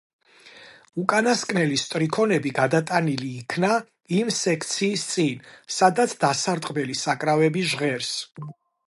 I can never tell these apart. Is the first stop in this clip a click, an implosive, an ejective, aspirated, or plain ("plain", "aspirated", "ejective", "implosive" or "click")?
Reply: ejective